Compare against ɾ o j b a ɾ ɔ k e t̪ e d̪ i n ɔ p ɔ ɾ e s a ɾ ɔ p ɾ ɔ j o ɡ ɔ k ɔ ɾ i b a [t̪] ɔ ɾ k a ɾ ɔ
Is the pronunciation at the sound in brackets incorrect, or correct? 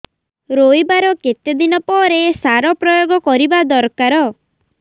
incorrect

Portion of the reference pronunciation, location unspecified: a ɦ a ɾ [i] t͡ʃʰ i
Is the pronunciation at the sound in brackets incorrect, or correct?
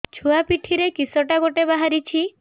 correct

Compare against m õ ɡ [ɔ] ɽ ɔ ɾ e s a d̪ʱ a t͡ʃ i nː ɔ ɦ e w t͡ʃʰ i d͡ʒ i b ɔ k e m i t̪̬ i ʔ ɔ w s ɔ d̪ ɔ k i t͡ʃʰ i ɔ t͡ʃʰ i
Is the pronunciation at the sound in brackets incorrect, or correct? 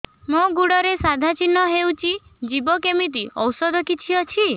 incorrect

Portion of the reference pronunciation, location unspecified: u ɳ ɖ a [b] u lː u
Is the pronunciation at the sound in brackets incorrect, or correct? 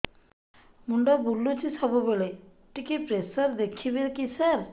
correct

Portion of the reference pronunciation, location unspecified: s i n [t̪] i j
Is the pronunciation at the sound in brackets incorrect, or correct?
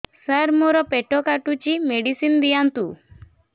incorrect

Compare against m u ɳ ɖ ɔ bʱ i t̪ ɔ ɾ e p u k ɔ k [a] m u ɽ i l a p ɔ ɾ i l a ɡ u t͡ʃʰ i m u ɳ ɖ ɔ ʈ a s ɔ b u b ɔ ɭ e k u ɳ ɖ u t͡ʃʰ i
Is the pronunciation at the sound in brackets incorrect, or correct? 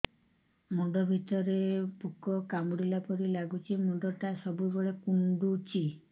correct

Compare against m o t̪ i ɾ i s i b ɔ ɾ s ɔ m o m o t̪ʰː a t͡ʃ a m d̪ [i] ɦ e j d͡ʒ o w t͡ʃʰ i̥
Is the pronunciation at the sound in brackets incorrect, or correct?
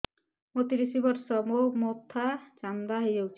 incorrect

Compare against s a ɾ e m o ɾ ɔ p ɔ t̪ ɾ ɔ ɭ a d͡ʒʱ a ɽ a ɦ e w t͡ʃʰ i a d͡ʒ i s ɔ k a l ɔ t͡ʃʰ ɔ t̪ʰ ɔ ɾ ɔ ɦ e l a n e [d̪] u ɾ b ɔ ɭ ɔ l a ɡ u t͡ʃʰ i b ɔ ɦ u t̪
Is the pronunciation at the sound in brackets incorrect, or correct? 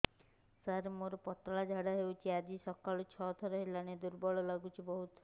correct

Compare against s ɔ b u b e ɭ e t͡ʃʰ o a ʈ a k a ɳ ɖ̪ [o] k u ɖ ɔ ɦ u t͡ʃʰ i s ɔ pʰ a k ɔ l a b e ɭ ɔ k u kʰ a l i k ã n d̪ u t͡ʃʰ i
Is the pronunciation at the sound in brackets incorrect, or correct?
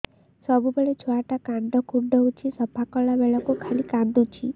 incorrect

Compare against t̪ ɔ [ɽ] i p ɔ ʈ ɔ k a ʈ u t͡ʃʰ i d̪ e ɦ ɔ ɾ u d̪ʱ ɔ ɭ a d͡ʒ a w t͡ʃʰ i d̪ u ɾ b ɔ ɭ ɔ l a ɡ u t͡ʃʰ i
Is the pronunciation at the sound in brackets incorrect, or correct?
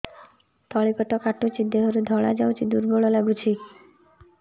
incorrect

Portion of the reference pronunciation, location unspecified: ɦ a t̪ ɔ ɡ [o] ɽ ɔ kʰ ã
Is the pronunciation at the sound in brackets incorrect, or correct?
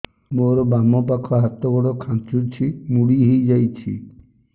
incorrect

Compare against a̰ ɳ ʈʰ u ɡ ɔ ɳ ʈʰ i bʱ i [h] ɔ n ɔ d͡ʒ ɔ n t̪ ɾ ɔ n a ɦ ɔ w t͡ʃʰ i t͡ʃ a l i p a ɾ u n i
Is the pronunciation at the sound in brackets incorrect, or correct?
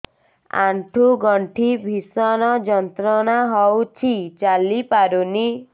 incorrect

